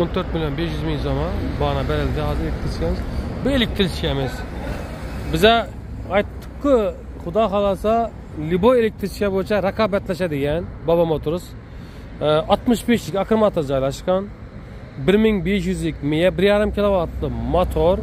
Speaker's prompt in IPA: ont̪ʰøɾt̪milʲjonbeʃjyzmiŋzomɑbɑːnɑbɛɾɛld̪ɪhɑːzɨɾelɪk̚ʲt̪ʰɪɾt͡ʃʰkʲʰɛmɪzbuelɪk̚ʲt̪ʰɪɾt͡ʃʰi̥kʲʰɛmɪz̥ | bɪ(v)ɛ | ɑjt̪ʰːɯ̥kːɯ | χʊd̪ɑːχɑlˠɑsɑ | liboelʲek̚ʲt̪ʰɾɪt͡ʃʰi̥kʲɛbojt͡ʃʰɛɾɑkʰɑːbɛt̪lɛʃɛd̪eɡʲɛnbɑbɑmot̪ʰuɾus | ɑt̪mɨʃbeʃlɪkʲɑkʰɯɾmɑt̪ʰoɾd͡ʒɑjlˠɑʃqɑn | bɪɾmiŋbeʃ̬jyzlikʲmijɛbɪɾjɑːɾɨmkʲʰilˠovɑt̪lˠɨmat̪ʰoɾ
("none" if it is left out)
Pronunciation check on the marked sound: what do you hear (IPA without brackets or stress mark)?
z